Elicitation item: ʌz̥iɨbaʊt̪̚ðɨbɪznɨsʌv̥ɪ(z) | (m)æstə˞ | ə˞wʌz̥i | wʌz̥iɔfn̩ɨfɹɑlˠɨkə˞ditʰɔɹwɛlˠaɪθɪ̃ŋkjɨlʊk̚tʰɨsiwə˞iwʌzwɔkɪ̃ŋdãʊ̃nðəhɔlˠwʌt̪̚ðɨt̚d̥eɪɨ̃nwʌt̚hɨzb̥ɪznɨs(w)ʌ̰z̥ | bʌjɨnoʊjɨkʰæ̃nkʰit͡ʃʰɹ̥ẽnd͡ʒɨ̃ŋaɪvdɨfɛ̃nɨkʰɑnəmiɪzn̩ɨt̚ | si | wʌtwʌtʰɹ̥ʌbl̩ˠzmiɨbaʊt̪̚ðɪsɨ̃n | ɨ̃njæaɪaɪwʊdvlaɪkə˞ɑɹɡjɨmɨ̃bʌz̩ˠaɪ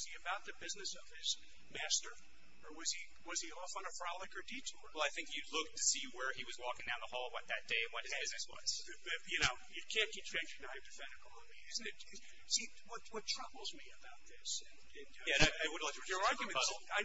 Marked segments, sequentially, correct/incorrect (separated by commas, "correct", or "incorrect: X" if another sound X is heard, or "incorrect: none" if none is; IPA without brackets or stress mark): correct, correct, correct